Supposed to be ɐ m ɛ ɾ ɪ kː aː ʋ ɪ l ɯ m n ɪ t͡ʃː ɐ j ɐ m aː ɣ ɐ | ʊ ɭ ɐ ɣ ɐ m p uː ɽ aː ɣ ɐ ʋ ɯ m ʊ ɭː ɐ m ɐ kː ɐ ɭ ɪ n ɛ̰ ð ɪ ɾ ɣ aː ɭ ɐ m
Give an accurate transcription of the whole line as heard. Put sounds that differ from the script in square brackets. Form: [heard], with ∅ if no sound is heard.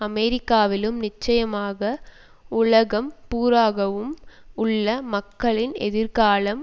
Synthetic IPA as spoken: ɐ m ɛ ɾ ɪ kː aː ʋ ɪ l ɯ m n ɪ t͡ʃː ɐ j ɐ m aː ɣ ɐ | ʊ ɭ ɐ ɣ ɐ m p uː [ɾ] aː ɣ ɐ ʋ ɯ m ʊ ɭː ɐ m ɐ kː ɐ ɭ ɪ n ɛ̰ ð ɪ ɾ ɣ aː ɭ ɐ m